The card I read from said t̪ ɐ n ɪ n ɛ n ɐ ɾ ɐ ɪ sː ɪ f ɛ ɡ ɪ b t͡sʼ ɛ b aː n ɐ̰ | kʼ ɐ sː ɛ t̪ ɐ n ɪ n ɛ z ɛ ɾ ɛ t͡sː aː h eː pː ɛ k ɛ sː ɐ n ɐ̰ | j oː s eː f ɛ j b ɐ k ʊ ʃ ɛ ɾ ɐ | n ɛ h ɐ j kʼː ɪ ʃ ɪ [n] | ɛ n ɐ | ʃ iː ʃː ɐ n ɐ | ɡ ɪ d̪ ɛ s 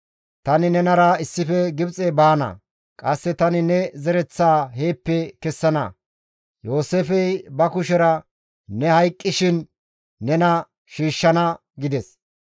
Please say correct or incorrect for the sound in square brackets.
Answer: incorrect